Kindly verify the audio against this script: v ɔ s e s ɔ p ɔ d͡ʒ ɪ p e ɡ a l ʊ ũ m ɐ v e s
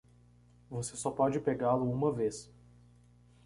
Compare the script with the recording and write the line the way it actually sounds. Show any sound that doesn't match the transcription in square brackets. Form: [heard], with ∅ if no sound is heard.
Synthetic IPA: v [o] s e s ɔ p ɔ d͡ʒ ɪ p e ɡ a l ʊ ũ m ɐ v e s